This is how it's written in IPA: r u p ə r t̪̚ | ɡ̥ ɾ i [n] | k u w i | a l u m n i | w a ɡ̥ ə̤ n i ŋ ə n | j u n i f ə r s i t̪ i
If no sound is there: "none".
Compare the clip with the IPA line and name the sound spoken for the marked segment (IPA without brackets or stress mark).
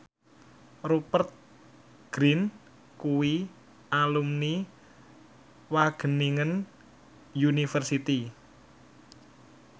n